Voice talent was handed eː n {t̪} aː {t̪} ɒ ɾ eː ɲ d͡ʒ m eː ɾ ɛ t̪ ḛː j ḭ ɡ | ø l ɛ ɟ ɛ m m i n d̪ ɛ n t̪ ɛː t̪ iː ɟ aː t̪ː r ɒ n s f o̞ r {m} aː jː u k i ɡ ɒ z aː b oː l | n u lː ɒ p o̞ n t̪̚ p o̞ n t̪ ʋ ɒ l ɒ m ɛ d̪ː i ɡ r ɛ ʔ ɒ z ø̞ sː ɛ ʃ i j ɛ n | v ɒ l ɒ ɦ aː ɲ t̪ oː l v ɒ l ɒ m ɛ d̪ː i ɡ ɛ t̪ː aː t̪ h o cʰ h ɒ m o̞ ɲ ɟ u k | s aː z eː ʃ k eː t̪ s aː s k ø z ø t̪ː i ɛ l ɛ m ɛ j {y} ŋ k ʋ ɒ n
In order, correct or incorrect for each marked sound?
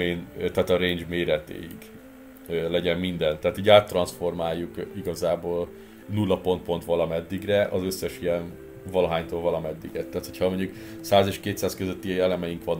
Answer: correct, correct, correct, incorrect

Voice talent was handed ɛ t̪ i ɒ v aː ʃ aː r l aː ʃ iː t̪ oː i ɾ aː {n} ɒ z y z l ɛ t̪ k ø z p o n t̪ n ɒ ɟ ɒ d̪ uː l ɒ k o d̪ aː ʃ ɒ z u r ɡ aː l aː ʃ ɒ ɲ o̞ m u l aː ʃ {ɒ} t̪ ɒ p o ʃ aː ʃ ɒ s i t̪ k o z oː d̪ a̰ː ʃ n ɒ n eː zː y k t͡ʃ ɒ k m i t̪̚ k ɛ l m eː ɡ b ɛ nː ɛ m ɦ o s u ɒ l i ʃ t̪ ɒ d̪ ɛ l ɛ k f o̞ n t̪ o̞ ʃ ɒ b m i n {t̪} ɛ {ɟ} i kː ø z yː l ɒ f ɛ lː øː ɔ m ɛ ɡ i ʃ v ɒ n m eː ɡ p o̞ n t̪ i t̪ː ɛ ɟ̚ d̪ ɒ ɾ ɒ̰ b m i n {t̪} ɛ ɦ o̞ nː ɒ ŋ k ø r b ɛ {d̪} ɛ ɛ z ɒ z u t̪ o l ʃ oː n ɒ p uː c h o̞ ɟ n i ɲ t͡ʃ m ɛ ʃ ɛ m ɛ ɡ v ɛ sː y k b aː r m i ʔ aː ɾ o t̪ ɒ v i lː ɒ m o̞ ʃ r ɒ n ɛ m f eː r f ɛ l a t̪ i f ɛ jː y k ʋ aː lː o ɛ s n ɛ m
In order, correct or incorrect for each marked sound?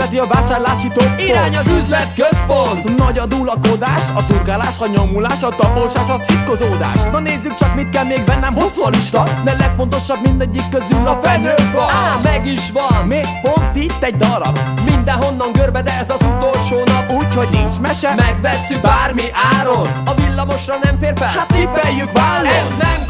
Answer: incorrect, correct, incorrect, incorrect, incorrect, correct

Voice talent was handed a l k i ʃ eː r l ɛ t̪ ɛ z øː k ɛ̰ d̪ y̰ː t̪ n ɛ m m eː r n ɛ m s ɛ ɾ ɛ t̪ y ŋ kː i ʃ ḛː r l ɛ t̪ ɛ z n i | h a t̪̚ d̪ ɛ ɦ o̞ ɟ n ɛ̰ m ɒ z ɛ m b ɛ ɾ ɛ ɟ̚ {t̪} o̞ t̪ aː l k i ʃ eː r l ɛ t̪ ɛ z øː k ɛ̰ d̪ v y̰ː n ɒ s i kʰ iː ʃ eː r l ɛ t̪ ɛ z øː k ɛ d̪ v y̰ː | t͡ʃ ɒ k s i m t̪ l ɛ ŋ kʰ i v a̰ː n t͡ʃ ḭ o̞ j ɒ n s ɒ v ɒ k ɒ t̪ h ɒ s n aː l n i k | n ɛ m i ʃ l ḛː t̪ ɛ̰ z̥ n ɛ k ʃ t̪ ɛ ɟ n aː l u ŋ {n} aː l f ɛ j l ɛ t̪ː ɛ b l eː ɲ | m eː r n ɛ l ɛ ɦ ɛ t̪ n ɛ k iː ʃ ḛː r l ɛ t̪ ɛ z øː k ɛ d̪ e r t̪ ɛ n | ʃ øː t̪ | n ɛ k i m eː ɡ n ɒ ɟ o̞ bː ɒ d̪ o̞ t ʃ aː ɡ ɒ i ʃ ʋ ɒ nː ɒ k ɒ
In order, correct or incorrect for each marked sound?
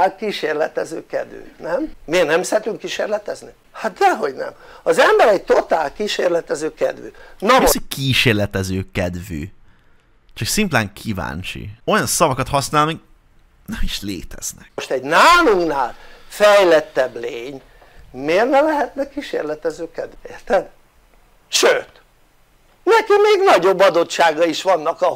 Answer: correct, correct

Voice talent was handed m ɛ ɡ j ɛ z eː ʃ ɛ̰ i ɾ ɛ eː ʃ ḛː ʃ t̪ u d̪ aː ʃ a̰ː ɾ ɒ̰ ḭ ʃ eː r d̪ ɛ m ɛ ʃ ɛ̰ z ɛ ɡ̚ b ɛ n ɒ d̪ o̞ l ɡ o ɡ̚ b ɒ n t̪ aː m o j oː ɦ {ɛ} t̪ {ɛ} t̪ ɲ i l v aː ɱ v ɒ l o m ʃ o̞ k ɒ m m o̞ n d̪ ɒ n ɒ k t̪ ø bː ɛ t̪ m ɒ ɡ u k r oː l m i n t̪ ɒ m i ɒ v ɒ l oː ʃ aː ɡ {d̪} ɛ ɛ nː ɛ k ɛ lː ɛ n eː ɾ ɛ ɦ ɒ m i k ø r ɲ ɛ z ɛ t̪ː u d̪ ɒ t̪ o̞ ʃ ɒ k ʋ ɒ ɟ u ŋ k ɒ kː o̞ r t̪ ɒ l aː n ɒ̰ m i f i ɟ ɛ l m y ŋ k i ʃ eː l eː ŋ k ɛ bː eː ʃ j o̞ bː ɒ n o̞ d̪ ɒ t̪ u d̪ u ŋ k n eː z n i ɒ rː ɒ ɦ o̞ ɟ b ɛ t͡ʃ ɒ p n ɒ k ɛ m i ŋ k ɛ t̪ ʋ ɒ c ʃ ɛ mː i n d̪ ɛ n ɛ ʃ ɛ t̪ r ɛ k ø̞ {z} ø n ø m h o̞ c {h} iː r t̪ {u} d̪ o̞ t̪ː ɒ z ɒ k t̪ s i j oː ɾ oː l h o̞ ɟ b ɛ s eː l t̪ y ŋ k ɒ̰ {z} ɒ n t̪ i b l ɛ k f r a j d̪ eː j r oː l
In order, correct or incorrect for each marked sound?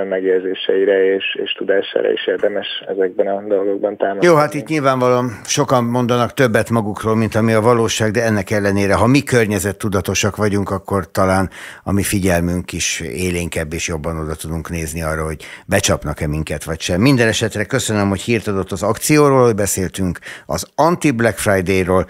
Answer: incorrect, incorrect, correct, incorrect, correct, incorrect, correct

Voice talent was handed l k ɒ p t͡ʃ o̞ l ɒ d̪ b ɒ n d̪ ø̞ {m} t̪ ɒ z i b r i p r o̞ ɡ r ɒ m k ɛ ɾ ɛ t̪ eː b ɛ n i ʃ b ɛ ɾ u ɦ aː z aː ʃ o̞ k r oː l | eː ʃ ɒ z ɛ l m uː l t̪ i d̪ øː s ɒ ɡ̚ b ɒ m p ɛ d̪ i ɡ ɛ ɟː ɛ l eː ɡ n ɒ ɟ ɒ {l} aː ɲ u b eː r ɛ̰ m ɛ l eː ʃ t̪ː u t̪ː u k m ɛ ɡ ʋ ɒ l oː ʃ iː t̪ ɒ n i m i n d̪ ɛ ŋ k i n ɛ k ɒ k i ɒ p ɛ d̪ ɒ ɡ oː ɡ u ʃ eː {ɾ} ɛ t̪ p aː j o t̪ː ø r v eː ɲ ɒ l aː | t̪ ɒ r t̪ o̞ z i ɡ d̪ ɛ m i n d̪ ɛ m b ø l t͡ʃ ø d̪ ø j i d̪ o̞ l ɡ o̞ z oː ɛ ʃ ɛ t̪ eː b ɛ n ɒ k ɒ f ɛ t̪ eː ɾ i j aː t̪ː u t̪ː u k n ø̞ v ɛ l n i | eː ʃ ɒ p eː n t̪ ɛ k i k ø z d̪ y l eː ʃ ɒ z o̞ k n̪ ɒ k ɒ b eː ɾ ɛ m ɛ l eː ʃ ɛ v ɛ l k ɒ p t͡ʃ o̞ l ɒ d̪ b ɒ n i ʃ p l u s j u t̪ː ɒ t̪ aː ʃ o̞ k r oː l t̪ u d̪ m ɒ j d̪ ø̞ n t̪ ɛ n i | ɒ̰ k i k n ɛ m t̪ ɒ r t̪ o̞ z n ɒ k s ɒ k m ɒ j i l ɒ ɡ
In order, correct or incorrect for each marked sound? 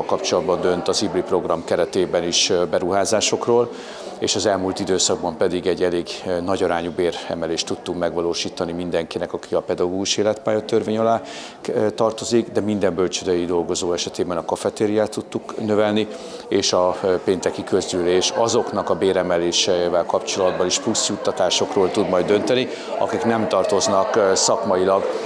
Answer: incorrect, incorrect, incorrect

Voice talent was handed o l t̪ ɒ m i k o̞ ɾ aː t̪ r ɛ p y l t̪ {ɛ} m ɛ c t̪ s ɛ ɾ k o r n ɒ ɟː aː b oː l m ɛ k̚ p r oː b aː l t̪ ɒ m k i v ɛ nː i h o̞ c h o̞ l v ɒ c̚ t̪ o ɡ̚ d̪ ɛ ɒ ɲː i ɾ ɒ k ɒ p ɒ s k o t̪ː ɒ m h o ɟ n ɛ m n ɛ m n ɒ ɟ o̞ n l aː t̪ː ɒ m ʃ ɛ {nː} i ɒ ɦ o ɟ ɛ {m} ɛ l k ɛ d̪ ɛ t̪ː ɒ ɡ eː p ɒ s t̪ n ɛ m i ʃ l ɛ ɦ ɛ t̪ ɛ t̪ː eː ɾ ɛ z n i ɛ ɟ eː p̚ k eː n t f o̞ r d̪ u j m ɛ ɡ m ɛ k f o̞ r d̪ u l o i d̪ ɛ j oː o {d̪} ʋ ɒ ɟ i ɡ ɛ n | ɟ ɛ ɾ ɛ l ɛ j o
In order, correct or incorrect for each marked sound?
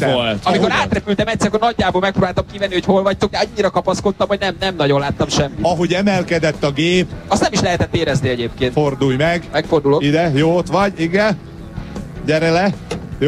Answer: correct, incorrect, correct, incorrect

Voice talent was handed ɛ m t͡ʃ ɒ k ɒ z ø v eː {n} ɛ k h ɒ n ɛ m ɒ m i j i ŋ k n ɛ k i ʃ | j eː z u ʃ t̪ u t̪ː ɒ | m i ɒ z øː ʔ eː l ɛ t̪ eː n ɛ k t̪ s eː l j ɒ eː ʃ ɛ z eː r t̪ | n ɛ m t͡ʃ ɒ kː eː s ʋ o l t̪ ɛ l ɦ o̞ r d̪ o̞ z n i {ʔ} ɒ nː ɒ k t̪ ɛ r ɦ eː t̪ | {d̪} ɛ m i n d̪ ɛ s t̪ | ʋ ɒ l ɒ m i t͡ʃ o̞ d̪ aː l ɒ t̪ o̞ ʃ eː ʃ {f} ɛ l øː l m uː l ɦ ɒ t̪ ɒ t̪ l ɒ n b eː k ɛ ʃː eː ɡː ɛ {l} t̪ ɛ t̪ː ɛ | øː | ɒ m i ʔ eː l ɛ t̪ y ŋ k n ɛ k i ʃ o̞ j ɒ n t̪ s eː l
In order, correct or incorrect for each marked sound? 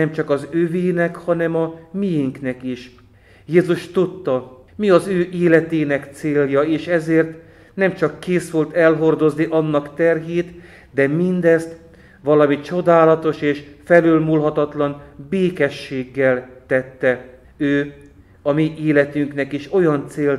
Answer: correct, correct, correct, correct, correct

